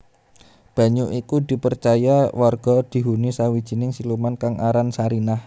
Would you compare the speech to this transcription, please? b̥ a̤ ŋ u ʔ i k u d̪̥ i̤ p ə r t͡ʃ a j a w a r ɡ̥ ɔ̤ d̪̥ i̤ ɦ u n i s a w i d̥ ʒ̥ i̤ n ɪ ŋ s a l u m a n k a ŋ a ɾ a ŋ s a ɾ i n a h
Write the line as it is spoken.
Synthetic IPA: b̥ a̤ ɲ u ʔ i k u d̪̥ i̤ p ə r t͡ʃ a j a w a r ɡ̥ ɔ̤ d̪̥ i̤ ɦ u n i s a w i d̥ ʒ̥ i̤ n ɪ ŋ s i l u m a n k a ŋ a ɾ a n s a ɾ i n a h